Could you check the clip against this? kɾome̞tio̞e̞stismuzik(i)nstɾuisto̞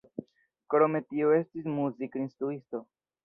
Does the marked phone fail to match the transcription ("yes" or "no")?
no